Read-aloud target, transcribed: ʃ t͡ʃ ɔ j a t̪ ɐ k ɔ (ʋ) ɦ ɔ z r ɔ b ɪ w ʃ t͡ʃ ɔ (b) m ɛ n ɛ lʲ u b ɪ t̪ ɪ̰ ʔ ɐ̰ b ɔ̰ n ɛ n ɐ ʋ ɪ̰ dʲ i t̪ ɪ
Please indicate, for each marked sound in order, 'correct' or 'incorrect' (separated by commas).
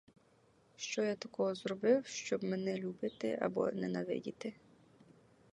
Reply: incorrect, correct